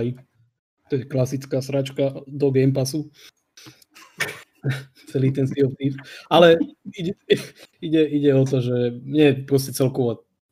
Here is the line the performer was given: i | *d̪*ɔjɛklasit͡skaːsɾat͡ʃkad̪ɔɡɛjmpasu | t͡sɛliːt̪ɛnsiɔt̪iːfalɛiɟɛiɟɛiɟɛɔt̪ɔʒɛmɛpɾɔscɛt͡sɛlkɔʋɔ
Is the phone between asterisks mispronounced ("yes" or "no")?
yes